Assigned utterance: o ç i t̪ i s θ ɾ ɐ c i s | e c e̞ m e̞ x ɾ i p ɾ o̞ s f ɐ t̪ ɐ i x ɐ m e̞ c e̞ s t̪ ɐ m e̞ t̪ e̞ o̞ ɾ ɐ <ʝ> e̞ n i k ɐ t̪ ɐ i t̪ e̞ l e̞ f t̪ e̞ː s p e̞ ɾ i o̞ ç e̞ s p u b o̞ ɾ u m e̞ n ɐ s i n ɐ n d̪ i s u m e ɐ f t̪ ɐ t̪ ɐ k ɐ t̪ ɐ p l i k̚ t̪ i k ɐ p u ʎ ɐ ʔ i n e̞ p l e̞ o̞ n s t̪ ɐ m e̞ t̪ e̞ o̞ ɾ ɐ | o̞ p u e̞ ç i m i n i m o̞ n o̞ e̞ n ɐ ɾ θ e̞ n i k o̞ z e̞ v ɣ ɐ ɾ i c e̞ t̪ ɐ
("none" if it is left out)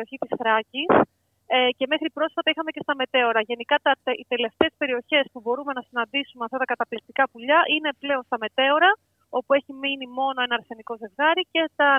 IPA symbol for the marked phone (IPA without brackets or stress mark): ʝ